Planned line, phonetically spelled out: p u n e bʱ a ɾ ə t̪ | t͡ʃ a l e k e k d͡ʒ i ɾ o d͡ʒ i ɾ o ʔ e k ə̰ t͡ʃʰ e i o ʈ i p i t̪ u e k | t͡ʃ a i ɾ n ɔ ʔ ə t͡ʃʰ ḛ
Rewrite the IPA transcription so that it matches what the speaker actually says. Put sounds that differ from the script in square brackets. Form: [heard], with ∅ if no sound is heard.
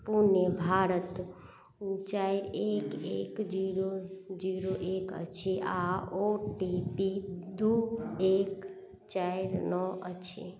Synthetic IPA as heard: p u n e bʱ a ɾ ə t̪ | t͡ʃ a [ɾ] e k e k d͡ʒ i ɾ o d͡ʒ i ɾ o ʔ e k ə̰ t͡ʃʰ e [a] o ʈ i p i [d̪] u e k | t͡ʃ a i ɾ n ɔ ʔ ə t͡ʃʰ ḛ

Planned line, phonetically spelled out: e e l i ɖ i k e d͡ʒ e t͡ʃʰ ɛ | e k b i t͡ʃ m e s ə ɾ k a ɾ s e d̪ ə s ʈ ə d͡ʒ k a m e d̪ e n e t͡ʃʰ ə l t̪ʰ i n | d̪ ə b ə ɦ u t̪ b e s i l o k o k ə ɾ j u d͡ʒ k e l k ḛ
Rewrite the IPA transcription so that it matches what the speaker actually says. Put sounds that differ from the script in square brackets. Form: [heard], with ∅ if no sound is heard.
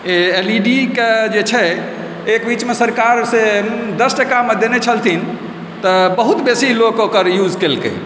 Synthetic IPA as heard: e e l i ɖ i k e d͡ʒ e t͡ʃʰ ɛ | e k b i t͡ʃ m e s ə ɾ k a ɾ s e d̪ ə s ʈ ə [∅] k a m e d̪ e n e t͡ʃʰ ə l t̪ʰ i n | [t̪] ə b ə ɦ u t̪ b e s i l o k o k ə ɾ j u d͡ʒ k e l k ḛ

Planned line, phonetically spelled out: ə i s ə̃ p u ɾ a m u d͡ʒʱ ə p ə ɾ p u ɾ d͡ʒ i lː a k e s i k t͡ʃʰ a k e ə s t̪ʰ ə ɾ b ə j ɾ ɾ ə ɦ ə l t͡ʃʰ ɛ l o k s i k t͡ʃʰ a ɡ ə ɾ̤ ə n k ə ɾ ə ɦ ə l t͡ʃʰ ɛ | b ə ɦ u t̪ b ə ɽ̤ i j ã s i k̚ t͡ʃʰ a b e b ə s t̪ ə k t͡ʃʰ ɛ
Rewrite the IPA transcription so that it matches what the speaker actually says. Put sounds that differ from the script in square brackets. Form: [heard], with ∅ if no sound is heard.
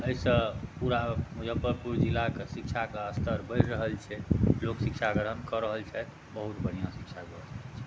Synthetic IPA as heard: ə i s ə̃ p u ɾ a m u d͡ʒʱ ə p ə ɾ p u ɾ d͡ʒ i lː a k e s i k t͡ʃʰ a k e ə s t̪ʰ ə ɾ b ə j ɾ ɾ ə ɦ ə l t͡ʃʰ ɛ l o k s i k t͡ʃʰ a ɡ ə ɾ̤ ə n k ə ɾ ə ɦ ə l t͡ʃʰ ɛ | b ə ɦ u t̪ b ə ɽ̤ i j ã s i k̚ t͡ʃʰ a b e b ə s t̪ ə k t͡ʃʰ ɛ

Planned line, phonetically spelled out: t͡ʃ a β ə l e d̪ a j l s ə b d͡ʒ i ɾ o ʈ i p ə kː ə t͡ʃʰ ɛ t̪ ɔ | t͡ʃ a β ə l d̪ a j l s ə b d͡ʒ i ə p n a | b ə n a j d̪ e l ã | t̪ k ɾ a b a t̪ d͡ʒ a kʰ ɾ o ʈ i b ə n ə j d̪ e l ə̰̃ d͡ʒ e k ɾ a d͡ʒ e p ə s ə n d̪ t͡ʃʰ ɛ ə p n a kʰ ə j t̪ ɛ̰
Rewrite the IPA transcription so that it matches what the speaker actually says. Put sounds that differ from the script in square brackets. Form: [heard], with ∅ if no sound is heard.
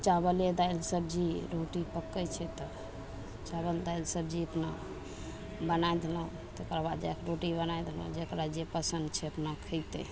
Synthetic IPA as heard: t͡ʃ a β ə l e d̪ a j l s ə b d͡ʒ i ɾ o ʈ i p ə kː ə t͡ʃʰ ɛ t̪ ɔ | t͡ʃ a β ə l d̪ a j l s ə b d͡ʒ i ə p n a | b ə n a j d̪ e l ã | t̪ k ɾ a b a [d̪] d͡ʒ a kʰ ɾ o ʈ i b ə n [a] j d̪ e l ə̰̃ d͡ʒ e k ɾ a d͡ʒ e p ə s ə n d̪ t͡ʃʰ ɛ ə p n a kʰ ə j t̪ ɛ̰

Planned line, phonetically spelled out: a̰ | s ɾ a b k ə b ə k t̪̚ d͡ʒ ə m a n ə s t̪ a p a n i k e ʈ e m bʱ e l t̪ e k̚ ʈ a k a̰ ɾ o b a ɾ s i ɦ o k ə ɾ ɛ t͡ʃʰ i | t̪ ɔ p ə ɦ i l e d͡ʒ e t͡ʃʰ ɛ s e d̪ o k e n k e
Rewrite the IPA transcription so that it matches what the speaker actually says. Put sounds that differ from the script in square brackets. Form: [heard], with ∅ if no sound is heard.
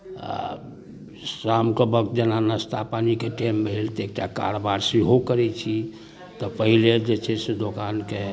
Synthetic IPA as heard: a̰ | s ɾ a [m] k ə b ə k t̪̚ d͡ʒ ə [n] a n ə s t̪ a p a n i k e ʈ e m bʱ e l t̪ e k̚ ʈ a k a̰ ɾ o b a ɾ s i ɦ o k ə ɾ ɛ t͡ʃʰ i | t̪ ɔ p ə ɦ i l e d͡ʒ e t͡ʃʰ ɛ s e d̪ o k [a] n k e

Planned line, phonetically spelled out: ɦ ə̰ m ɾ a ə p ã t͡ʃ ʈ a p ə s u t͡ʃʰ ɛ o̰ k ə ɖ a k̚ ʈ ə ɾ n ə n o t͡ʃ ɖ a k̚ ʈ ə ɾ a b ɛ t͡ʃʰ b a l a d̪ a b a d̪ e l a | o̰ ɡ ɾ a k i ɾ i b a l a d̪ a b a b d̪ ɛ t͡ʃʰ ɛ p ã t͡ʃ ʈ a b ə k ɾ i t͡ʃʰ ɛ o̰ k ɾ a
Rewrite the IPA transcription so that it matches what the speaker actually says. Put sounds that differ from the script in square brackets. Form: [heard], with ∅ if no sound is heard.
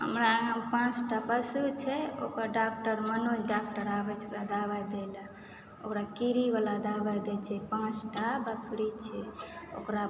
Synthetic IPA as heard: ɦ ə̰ m ɾ a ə p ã t͡ʃ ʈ a p ə s u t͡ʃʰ ɛ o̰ k ə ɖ a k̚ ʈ ə ɾ [m] ə n o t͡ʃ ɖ a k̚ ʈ ə ɾ a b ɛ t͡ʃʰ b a l a d̪ a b a d̪ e l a | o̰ [k] ɾ a k i ɾ i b a l a d̪ a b a [∅] d̪ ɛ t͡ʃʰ ɛ p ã t͡ʃ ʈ a b ə k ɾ i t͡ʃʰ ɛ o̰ k ɾ a

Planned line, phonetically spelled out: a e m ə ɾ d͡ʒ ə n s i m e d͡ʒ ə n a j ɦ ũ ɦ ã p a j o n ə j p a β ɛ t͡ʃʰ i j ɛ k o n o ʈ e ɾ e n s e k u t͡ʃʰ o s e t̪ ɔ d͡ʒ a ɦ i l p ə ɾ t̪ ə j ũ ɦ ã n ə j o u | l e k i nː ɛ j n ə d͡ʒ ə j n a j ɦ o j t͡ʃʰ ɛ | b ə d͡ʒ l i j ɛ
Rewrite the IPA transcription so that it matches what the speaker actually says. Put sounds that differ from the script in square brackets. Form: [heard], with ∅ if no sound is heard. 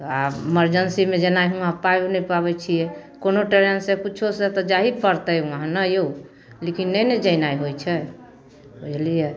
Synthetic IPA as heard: a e m ə ɾ d͡ʒ ə n s i m e d͡ʒ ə n a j ɦ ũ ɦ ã p a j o n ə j p a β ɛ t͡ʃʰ i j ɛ k o n o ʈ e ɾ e n s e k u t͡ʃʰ o s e t̪ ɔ d͡ʒ a ɦ i [∅] p ə ɾ t̪ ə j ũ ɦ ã n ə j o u | l e k i nː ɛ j n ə d͡ʒ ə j n a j ɦ o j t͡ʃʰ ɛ | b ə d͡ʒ l i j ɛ

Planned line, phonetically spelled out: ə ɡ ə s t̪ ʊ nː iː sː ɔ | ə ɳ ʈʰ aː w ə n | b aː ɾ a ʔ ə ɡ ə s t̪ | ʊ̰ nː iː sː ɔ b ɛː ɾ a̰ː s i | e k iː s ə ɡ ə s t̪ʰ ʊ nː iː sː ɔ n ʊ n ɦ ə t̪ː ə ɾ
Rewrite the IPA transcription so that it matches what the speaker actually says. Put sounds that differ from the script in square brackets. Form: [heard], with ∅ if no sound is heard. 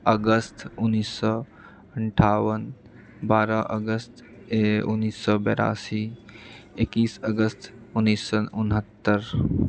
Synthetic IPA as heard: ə ɡ ə s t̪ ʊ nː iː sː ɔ | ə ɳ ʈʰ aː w ə n | b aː ɾ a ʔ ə ɡ ə s t̪ | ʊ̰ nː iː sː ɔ b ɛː ɾ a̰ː s i | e k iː s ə ɡ ə s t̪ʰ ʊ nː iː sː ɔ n ʊ n ɦ ə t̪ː ə ɾ

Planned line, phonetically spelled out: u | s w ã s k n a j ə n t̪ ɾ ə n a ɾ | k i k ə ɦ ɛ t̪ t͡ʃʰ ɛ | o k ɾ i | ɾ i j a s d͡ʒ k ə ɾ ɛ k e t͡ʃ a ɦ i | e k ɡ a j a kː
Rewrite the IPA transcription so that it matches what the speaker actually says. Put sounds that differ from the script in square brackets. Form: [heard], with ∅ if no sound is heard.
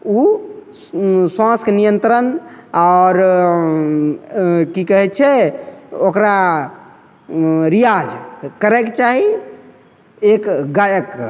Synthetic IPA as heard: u | s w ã s k n [i] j ə n t̪ ɾ ə n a ɾ | k i k ə ɦ ɛ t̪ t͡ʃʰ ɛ | o k ɾ [a] | ɾ i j a [∅] d͡ʒ k ə ɾ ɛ k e t͡ʃ a ɦ i | e k ɡ a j [ə] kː

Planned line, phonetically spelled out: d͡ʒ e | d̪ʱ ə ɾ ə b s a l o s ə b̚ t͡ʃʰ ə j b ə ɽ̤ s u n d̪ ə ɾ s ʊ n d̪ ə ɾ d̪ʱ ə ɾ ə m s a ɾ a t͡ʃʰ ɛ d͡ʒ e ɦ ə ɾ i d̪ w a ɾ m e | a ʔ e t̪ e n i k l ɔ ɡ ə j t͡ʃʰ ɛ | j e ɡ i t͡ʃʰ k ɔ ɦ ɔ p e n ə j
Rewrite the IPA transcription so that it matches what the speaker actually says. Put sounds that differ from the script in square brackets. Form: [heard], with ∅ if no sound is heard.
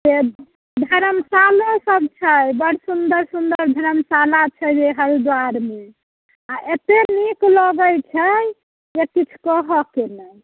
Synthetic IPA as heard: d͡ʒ e | d̪ʱ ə ɾ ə [m] s a l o s ə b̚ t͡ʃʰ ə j b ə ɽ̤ s u n d̪ ə ɾ s [u] n d̪ ə ɾ d̪ʱ ə ɾ ə m s a [l] a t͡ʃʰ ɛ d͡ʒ e ɦ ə ɾ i d̪ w a ɾ m e | a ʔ e t̪ e n i k l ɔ ɡ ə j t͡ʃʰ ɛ | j e [k] i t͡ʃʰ k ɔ ɦ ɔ [k] e n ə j

